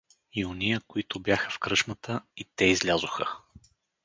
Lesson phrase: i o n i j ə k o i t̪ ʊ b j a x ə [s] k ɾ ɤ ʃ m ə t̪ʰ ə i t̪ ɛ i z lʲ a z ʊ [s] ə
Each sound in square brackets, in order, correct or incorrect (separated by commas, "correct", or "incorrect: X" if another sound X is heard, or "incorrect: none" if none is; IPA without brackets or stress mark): incorrect: f, incorrect: x